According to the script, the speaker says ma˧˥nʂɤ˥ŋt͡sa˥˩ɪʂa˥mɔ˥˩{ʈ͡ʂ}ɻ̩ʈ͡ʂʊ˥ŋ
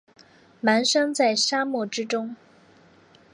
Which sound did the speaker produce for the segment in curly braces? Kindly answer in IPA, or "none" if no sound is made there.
ʈ͡ʂ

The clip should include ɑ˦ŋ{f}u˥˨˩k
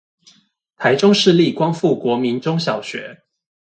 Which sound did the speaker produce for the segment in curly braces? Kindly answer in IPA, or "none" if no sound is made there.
f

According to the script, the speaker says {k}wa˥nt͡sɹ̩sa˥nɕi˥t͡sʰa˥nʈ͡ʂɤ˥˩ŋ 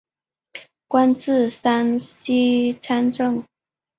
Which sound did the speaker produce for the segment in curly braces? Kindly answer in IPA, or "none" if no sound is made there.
k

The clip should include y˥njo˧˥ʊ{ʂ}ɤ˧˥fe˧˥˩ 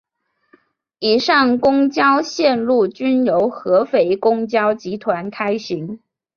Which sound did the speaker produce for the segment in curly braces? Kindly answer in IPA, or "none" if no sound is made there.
x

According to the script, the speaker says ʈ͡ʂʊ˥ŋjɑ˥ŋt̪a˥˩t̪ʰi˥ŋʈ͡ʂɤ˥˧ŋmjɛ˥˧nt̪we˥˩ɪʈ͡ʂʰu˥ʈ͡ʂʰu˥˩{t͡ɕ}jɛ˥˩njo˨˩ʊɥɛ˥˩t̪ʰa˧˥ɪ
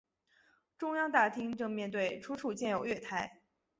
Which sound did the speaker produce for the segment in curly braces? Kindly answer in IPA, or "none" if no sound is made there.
t͡ɕ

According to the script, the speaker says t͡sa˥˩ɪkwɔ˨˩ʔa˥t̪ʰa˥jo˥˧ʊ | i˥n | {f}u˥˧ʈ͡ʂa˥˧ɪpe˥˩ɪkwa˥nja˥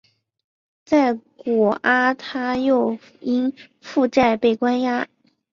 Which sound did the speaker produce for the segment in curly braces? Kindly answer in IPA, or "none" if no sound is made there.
f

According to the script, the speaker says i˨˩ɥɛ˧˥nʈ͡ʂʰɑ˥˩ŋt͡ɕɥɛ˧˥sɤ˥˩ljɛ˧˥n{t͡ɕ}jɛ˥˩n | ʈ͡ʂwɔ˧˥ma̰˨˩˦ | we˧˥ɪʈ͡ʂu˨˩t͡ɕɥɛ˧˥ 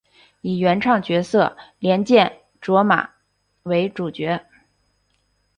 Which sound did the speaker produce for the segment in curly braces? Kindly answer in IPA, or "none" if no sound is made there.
t͡ɕ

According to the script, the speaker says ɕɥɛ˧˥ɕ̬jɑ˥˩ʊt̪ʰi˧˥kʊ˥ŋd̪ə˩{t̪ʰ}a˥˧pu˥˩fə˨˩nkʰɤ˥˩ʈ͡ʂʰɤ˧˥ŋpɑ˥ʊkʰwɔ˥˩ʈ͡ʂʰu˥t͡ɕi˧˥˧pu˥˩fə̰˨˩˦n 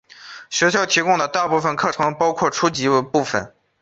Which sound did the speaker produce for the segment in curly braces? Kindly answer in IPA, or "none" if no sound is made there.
t̪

